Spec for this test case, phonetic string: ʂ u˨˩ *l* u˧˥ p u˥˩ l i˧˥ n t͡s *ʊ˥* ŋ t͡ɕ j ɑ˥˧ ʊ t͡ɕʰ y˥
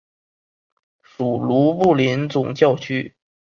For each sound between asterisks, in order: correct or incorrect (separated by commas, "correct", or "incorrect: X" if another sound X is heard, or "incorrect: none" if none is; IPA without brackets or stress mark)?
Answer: correct, incorrect: ʊ˨˩